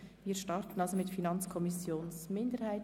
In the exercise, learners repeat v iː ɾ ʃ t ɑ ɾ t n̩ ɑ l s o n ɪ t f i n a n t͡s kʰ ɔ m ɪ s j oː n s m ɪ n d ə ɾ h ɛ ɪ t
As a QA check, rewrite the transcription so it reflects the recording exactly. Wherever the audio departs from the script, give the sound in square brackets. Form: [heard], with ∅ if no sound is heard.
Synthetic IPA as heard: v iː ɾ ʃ t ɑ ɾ t n̩ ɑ l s o [m] ɪ t f i n [ɑ] n t͡s kʰ ɔ m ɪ s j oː n s m ɪ n d ə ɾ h [a] ɪ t

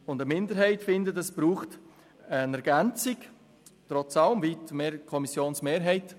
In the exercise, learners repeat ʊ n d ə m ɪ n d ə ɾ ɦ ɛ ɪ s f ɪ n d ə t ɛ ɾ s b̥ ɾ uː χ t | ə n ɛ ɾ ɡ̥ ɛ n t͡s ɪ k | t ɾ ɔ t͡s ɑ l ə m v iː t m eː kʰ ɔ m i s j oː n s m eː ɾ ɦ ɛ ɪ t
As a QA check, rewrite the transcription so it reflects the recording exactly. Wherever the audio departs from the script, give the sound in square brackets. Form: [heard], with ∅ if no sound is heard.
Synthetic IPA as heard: ʊ n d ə m ɪ n d ə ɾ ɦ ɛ ɪ [t] f ɪ n d ə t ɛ [∅] s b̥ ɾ uː χ t | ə n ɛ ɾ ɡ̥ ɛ n t͡s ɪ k | t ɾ ɔ t͡s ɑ l ə m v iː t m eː kʰ ɔ m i s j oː n s m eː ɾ ɦ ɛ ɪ t

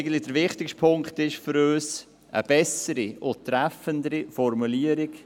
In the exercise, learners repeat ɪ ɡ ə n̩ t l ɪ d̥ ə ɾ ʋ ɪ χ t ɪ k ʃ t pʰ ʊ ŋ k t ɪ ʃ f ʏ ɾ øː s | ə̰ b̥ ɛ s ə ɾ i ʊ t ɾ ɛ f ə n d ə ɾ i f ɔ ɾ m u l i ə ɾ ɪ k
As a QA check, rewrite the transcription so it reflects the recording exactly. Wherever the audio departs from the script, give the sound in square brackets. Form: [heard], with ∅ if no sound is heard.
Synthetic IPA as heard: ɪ ɡ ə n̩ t l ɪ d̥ ə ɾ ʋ ɪ χ t ɪ k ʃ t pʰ ʊ ŋ k t ɪ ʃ f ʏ ɾ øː s | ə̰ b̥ ɛ s ə ɾ i ʊ t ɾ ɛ f ə n d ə ɾ i f ɔ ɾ m u l i ə ɾ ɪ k

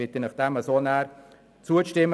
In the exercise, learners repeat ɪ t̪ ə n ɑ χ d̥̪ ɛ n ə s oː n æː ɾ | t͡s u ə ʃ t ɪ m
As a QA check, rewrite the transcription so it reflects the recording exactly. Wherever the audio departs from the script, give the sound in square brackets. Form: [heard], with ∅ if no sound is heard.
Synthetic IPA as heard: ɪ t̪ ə n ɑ χ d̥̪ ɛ [m] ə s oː n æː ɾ | t͡s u ə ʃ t ɪ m

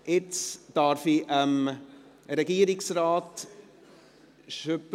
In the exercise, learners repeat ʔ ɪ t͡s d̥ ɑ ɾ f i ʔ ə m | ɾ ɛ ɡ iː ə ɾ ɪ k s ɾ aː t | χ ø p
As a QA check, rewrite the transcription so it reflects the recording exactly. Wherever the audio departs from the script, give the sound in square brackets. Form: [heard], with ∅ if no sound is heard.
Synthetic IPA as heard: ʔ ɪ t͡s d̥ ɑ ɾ f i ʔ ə m | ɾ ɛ ɡ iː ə ɾ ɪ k s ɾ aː t | [ʃ] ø p

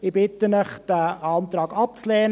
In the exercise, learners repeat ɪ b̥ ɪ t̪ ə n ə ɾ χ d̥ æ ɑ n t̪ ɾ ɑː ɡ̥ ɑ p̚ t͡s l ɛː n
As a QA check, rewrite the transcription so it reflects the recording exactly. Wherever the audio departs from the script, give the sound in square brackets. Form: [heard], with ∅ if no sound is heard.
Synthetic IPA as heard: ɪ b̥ ɪ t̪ ə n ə [∅] χ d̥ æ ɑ n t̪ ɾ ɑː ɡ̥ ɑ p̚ t͡s l ɛː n

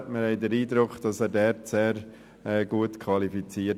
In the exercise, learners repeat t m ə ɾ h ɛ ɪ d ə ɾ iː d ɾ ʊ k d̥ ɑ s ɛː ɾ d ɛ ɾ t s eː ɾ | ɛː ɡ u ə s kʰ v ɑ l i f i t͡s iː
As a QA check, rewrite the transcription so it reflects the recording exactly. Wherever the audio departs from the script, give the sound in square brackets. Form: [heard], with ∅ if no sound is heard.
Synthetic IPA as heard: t m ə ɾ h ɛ ɪ d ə ɾ iː d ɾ ʊ k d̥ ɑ s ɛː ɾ d ɛ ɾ t s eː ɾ | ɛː ɡ u ə [t] kʰ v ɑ l i f i t͡s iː

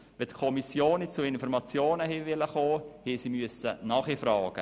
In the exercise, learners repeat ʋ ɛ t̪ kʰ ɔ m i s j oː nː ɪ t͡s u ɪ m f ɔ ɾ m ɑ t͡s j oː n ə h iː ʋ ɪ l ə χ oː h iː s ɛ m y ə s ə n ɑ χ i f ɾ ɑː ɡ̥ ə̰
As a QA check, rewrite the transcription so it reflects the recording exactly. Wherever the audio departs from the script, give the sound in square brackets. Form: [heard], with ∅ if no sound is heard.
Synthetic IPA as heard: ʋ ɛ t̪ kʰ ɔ m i s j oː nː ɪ t͡s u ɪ [n] f ɔ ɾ m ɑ t͡s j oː n ə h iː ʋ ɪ l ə χ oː h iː s [i] m y ə s ə n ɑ χ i f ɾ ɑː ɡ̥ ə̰

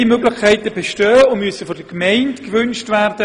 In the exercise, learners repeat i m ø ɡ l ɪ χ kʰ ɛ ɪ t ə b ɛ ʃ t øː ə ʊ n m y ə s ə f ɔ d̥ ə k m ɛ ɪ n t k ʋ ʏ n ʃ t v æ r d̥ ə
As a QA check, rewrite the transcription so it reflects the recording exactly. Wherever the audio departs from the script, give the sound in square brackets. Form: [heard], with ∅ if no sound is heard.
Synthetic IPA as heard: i m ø ɡ l ɪ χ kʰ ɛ ɪ t ə b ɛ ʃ t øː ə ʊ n m y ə s ə f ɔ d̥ ə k m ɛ ɪ n t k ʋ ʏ n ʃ t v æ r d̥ ə

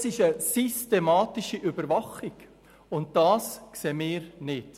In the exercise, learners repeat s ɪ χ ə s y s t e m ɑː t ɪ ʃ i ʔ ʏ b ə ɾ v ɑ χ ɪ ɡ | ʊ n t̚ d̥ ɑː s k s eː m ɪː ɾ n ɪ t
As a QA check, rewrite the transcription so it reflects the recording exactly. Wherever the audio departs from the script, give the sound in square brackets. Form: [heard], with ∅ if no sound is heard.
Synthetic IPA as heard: s ɪ [ʃ] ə s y s t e m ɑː t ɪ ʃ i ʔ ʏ b ə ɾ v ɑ χ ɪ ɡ | ʊ n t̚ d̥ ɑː s k s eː m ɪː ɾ n ɪ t

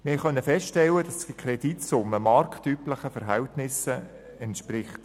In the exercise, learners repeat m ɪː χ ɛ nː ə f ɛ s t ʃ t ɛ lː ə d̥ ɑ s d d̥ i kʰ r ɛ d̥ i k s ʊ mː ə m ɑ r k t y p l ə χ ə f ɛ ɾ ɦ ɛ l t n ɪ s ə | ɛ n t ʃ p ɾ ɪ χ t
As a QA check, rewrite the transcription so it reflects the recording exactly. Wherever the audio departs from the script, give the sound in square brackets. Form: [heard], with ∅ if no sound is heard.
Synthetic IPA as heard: m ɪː χ [œ] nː ə f ɛ s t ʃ t ɛ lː ə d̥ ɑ s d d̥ i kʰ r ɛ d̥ i [t] s ʊ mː ə m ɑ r k t y p l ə χ ə f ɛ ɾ ɦ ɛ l t n ɪ s ə | ɛ n t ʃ p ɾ ɪ χ t

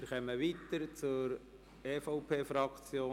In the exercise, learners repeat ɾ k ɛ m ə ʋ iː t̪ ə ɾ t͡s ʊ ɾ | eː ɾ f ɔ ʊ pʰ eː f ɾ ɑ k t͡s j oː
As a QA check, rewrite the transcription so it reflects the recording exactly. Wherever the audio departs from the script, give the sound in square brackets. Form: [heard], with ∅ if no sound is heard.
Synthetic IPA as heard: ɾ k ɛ m ə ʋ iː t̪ ə ɾ t͡s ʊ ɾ | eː [∅] f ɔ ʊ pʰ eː f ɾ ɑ k t͡s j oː

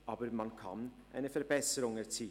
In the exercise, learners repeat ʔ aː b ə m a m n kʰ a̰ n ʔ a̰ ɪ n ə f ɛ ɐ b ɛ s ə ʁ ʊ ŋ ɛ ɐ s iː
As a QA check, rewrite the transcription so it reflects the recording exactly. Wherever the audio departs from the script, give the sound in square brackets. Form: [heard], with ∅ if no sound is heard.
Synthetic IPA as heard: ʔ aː b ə m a [∅] n kʰ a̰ n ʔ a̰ ɪ n ə f ɛ ɐ b ɛ s ə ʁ ʊ ŋ ɛ ɐ [t͡s] iː

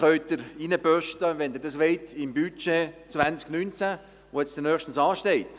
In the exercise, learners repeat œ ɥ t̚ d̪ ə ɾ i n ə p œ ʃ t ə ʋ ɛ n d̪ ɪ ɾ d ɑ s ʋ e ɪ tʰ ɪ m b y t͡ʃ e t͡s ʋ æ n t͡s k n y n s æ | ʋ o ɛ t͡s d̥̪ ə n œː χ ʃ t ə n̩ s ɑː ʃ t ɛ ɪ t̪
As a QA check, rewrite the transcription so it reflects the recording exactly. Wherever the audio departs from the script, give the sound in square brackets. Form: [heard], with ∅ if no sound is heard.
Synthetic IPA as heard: œ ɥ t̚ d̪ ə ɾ i n ə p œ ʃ t ə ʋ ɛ n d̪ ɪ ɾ d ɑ s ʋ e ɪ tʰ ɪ m b y t͡ʃ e t͡s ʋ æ n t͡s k n y n [t͡s] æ | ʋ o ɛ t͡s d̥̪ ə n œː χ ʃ t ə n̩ s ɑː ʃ t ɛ ɪ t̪

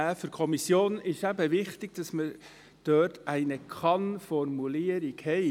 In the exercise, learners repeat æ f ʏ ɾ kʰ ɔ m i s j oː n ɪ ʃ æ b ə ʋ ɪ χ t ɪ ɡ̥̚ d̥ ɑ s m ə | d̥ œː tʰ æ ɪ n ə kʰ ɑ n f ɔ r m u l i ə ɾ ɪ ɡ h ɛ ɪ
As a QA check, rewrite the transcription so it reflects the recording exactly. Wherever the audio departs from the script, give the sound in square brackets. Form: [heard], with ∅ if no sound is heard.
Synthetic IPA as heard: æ f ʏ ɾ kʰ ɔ m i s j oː n ɪ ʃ æ b ə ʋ ɪ χ t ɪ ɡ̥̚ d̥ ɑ s m ə | d̥ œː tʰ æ ɪ n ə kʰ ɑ n f ɔ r m u l i ə ɾ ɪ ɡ h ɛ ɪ

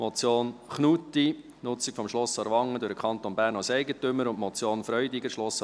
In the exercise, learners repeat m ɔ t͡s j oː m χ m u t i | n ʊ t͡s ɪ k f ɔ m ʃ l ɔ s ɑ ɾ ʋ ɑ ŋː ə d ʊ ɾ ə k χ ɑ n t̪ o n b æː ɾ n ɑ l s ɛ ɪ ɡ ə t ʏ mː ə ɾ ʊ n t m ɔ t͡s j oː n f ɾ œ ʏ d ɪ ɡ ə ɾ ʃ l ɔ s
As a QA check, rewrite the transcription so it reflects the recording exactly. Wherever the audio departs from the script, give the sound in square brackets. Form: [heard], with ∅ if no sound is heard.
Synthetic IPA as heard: m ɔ t͡s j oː [n] χ [n] u t i | n ʊ t͡s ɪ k f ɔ m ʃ l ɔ s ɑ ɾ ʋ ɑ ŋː ə d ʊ ɾ ə k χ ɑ n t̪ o n b æː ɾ n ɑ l s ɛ ɪ ɡ ə t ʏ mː ə ɾ ʊ n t m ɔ t͡s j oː n f ɾ œ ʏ d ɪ ɡ ə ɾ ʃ l ɔ s

